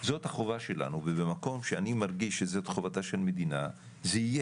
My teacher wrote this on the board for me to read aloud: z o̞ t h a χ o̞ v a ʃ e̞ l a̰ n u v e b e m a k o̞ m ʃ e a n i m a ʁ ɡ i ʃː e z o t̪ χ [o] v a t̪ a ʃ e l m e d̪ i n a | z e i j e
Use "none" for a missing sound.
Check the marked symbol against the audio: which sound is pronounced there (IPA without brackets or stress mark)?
o